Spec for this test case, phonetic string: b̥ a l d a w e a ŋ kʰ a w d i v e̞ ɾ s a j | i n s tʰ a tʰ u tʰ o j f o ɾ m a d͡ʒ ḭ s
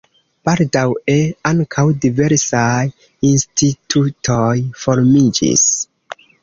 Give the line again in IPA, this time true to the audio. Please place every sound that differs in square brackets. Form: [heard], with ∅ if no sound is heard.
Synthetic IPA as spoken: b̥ a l d a w e a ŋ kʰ a w d i v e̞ ɾ s a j | i n s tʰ [i] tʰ u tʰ o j f o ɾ m [i] d͡ʒ ḭ s